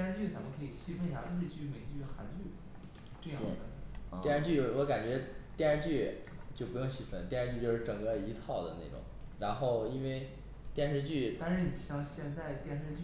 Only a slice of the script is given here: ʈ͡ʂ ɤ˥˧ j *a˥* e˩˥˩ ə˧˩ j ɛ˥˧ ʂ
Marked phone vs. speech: incorrect: ɑ˥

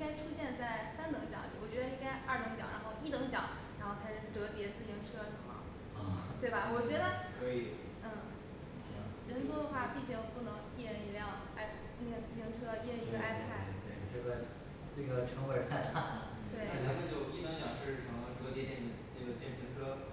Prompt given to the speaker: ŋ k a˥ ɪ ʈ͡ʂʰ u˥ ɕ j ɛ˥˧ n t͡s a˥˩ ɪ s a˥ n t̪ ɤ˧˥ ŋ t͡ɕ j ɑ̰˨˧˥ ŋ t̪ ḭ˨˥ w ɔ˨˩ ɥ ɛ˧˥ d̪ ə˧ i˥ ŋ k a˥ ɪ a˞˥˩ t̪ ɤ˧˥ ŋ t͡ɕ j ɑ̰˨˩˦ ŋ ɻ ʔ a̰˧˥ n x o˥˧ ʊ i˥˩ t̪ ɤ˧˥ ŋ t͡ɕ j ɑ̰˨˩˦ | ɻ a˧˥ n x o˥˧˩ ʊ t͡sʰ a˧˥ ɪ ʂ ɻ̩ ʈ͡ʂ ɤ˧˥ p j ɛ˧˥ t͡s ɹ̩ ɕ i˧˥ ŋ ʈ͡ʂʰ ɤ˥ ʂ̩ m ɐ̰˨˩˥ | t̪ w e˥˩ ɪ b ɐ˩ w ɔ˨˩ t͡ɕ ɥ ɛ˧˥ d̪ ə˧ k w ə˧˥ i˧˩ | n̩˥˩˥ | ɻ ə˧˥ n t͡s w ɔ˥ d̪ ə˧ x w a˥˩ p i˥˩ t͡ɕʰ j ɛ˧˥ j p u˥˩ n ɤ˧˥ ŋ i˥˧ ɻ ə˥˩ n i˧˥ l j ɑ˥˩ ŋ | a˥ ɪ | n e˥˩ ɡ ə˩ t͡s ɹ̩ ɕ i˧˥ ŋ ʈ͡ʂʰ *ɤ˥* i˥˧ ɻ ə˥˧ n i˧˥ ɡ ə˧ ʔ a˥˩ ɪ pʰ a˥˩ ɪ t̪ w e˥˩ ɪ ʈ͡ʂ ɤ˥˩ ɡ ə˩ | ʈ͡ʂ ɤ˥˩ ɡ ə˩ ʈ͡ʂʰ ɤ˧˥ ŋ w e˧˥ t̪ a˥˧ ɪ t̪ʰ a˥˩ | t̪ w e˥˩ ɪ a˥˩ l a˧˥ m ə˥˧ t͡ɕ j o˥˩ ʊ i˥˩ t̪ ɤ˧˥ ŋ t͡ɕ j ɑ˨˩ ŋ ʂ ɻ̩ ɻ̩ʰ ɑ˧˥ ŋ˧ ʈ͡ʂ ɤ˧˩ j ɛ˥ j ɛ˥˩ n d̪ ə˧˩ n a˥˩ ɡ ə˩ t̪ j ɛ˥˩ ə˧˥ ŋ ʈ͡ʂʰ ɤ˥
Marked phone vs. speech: correct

